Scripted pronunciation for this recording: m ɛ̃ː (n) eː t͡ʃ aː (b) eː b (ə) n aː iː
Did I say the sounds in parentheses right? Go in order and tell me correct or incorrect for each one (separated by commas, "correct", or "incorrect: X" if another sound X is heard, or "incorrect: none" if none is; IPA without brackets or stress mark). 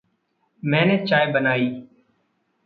correct, incorrect: none, correct